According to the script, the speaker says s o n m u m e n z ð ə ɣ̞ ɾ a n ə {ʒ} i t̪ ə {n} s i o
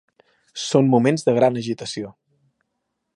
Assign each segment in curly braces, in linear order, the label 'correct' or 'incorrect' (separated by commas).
correct, incorrect